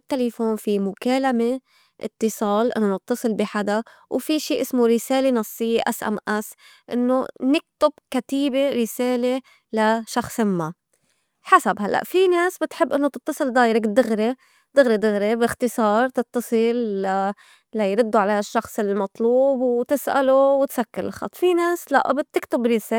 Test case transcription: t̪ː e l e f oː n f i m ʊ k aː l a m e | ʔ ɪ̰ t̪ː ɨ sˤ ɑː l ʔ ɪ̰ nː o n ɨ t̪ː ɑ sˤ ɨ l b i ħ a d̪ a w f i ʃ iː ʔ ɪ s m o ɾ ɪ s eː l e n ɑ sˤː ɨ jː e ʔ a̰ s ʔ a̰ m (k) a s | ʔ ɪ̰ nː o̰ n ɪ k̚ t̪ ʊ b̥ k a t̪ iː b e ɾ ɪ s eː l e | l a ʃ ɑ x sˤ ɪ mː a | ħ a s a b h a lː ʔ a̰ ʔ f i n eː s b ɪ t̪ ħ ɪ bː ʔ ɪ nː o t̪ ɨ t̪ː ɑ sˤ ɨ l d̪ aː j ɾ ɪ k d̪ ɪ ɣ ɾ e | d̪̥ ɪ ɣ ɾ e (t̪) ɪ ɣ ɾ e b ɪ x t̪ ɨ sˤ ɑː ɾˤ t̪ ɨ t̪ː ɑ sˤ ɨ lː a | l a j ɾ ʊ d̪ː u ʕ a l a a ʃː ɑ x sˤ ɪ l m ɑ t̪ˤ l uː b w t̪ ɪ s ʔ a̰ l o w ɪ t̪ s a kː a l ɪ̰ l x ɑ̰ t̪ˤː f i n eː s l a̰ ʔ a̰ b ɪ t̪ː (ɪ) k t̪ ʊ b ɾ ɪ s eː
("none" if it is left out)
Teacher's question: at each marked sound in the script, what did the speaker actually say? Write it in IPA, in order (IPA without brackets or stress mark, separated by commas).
ʔ, d̪, ɪ